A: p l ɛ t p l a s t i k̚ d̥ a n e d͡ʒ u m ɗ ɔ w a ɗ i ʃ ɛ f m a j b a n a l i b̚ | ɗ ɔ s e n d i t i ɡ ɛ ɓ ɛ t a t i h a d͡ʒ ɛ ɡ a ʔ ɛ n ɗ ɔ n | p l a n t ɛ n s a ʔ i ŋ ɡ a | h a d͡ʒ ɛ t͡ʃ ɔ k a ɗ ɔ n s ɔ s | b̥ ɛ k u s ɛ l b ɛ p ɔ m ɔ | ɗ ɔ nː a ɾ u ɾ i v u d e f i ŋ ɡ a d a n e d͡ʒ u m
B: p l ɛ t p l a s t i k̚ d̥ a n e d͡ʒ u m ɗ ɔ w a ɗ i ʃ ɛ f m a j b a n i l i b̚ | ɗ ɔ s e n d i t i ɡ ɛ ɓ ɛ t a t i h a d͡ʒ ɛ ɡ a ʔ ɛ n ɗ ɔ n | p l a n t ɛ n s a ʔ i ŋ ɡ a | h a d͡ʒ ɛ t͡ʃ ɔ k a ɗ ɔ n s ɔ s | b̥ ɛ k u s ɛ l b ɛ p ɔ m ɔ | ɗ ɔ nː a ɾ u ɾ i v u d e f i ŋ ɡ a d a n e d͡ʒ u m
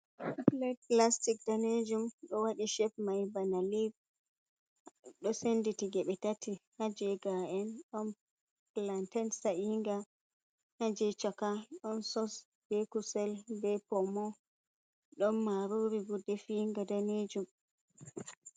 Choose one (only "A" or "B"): A